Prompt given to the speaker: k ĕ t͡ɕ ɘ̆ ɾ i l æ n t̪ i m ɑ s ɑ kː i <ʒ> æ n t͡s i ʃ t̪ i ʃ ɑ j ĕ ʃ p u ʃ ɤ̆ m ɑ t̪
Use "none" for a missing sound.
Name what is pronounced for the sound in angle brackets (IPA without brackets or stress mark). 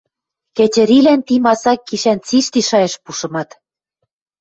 ʃ